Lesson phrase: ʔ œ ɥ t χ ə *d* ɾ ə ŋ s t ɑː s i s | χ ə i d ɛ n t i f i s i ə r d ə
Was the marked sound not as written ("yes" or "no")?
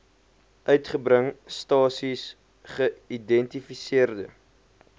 yes